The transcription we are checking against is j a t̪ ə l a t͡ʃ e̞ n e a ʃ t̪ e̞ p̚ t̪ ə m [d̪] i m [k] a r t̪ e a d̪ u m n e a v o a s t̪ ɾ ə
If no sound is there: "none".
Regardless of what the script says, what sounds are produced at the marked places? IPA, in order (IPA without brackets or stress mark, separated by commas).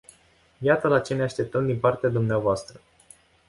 d̪, p